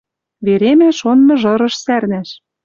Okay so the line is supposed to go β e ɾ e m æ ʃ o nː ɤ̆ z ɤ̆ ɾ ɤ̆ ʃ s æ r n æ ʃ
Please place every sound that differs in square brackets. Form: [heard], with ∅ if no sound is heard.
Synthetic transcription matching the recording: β e ɾ e m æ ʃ o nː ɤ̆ [ʒ] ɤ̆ ɾ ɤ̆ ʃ s æ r n æ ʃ